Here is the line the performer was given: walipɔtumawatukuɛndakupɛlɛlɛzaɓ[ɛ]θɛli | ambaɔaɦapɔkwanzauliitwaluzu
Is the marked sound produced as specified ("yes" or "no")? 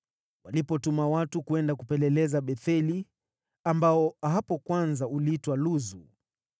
yes